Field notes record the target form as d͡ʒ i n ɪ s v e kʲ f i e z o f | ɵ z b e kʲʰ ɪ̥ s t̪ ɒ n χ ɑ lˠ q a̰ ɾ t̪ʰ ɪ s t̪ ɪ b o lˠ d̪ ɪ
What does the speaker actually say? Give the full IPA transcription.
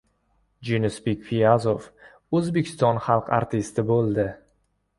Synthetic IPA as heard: d͡ʒ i n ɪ s b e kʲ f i a z o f | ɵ z b e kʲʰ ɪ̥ s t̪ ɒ n χ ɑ lˠ q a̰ ɾ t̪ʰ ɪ s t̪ ɪ b o lˠ d̪ ɪ

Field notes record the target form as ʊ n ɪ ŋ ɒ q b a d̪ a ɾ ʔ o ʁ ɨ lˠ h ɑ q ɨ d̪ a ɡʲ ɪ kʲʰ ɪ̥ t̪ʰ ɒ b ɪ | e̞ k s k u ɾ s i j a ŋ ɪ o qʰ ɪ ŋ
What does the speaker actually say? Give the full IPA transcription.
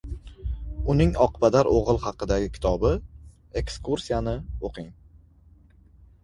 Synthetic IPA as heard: ʊ n ɪ ŋ ɒ q b a d̪ a ɾ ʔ o ʁ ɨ lˠ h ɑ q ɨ d̪ a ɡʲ ɪ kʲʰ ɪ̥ t̪ʰ ɒ b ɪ | e̞ k s k u ɾ s i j a n ɪ o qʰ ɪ ŋ

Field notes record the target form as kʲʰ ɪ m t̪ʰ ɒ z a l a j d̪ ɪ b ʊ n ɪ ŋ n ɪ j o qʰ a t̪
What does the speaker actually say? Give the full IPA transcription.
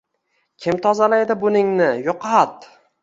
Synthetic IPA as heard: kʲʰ ɪ m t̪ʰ ɒ z a l a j d̪ ɪ b ʊ n ɪ ŋ n ɪ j o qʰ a t̪

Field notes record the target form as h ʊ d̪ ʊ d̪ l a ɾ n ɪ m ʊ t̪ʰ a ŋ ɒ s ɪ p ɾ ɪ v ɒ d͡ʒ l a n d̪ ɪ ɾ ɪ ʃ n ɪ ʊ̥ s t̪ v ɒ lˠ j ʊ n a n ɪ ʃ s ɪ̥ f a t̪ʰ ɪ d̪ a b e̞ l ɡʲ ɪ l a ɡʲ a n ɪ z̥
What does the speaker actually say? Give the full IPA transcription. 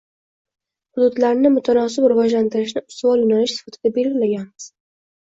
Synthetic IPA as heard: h ʊ d̪ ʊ d̪ l a ɾ n ɪ m ʊ t̪ʰ a n ɒ s ɪ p ɾ ɪ v ɒ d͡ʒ l a n t̪ ɪ ɾ ɪ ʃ n ɪ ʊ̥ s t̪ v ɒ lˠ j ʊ n a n ɪ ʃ s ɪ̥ f a t̪ʰ ɪ d̪ a b e̞ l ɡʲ ɪ l a ɡʲ a n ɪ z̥

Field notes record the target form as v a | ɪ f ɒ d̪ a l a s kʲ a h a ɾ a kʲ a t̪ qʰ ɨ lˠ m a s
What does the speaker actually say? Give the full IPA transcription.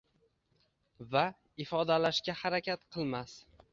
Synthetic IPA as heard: v a | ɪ f ɒ d̪ a l a ʃ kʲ a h a ɾ a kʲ a t̪ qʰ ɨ lˠ m a s

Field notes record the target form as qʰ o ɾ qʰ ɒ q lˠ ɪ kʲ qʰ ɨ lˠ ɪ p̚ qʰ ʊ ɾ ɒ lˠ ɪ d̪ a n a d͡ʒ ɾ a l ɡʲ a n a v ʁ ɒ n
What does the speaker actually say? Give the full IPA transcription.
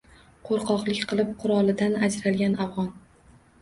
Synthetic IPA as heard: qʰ o ɾ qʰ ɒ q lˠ ɪ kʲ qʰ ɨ lˠ ɪ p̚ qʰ ʊ ɾ ɒ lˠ ɪ d̪ a n a d͡ʒ ɾ a l ɡʲ a n a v ʁ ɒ n

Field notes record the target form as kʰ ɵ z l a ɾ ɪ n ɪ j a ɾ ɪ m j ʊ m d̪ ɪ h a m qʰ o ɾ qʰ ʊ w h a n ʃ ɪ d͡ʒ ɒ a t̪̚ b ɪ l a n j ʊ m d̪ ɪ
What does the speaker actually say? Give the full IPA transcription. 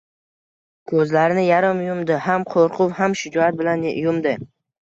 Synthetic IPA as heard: kʰ ɵ z l a ɾ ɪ n ɪ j a ɾ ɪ m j ʊ m d̪ ɪ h a m qʰ o ɾ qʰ ʊ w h a m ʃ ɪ d͡ʒ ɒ a t̪̚ b ɪ l a n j ʊ m d̪ ɪ

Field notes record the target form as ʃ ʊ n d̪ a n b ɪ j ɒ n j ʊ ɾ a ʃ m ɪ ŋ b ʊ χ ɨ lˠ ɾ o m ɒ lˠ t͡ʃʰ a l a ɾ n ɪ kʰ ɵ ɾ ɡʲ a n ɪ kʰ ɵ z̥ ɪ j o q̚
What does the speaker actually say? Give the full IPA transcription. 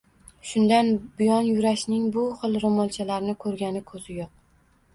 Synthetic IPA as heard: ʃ ʊ n d̪ a n b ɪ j ɒ n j ʊ ɾ a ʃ n ɪ ŋ b ʊ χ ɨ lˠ ɾ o m ɒ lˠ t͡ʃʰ a l a ɾ n ɪ kʰ ɵ ɾ ɡʲ a n ɪ kʰ ɵ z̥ ɪ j o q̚

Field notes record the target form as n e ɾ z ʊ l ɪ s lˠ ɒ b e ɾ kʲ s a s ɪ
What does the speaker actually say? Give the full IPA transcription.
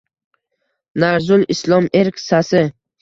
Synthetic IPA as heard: n a ɾ z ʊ l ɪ s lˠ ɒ m e ɾ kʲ s a s ɪ

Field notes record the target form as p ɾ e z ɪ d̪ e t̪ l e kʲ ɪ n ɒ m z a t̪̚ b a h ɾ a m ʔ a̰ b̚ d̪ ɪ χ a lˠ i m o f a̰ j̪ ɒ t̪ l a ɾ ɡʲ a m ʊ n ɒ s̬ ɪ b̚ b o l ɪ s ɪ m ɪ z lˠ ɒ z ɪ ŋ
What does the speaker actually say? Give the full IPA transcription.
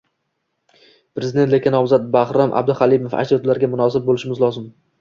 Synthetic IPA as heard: p ɾ e z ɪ d̪ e t̪ l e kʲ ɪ n ɒ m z a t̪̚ b a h ɾ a m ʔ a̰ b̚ d̪ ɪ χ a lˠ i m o f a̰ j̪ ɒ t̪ l a ɾ ɡʲ a m ʊ n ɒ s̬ ɪ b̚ b o l ɪ ʃ ɪ m ɪ z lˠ ɒ z ɪ m

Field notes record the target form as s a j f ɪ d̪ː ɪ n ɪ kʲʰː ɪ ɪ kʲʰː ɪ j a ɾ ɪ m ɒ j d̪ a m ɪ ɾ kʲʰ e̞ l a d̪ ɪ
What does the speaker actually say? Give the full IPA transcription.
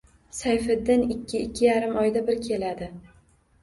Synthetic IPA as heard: s a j f ɪ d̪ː ɪ n ɪ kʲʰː ɪ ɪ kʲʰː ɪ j a ɾ ɪ m ɒ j d̪ a b ɪ ɾ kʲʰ e̞ l a d̪ ɪ

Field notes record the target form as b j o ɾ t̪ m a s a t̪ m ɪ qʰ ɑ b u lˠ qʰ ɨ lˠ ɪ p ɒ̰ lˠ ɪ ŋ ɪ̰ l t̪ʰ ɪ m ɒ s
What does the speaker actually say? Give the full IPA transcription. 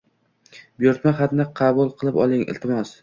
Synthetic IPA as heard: b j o ɾ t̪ m a χ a t̪ n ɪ qʰ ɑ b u lˠ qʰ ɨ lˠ ɪ p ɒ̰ lˠ ɪ ŋ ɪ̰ l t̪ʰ ɪ m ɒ s

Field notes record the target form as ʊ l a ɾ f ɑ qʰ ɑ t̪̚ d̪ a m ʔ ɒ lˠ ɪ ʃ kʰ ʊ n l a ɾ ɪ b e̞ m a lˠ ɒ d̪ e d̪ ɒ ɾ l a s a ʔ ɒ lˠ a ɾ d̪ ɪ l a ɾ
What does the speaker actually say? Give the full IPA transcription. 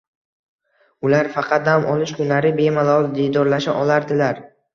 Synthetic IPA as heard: ʊ l a ɾ f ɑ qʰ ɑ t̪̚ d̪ a m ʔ ɒ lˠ ɪ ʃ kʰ ʊ n l a ɾ ɪ b e̞ m a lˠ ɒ d̪ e d̪ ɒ ɾ l a ʃ a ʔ ɒ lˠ a ɾ d̪ ɪ l a ɾ

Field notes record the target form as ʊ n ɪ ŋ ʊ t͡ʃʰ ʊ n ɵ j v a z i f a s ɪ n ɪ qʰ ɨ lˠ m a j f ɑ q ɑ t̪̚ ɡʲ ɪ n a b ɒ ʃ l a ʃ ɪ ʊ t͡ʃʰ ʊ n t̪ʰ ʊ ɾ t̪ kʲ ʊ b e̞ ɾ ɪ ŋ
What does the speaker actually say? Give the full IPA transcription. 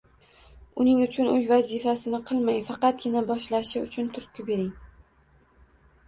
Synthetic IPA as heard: ʊ n ɪ ŋ ʊ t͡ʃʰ ʊ n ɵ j v a z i f a s ɪ n ɪ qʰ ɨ lˠ m a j f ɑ q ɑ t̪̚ ɡʲ ɪ n a b ɒ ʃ l a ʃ ɪ ʊ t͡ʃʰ ʊ n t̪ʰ ʊ ɾ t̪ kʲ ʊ b e̞ ɾ ɪ ŋ

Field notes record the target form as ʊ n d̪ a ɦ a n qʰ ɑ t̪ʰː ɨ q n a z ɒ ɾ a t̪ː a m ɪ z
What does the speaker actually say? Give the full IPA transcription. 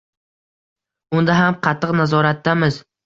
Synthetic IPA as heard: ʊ n d̪ a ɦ a m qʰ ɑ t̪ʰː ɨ q n a z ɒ ɾ a t̪ː a m ɪ z

